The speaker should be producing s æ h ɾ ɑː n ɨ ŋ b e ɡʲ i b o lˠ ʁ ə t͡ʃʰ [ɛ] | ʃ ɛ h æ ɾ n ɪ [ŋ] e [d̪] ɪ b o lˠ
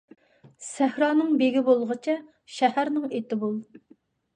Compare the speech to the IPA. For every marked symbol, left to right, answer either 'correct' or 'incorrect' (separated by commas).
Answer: correct, correct, incorrect